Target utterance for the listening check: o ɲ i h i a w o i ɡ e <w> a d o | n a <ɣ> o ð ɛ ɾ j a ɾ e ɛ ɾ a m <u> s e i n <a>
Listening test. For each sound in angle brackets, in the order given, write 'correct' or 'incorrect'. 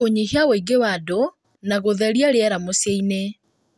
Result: correct, correct, incorrect, incorrect

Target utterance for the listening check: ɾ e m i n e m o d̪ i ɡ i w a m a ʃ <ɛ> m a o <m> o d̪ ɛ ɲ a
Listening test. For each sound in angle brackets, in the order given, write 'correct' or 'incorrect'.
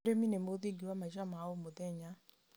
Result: incorrect, correct

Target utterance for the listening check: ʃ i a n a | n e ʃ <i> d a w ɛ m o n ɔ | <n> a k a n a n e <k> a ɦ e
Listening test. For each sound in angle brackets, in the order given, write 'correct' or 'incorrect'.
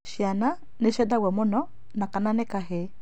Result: incorrect, correct, correct

